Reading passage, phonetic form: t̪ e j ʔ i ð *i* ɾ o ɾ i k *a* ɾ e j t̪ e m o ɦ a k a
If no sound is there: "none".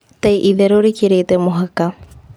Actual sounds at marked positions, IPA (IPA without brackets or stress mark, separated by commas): e, i